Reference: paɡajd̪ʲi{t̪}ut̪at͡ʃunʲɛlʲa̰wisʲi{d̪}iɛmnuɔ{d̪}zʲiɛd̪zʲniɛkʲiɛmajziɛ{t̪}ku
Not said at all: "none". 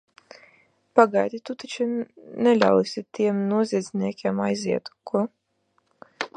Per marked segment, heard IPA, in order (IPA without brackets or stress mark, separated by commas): t̪, t̪, none, t̪